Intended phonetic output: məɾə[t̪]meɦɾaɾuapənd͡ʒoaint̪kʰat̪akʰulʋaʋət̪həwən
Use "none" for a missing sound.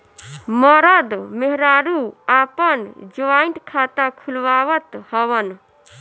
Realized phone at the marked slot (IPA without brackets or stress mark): d̪